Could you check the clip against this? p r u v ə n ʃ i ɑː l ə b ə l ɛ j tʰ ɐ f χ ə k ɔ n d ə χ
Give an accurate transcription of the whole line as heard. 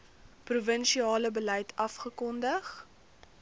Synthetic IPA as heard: p r u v ə n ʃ i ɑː l ə b ə l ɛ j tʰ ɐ f χ ə k ɔ n d ə χ